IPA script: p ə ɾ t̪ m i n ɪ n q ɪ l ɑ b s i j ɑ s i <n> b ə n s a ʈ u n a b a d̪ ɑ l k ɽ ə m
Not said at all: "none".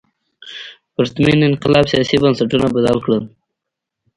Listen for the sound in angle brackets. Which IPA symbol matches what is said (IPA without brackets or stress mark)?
none